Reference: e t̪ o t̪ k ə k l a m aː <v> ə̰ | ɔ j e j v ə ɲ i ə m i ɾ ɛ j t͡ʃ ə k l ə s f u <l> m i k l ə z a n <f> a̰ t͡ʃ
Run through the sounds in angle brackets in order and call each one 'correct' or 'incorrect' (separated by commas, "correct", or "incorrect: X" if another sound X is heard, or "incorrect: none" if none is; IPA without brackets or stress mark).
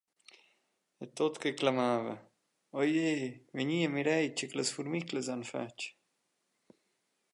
correct, incorrect: ɾ, correct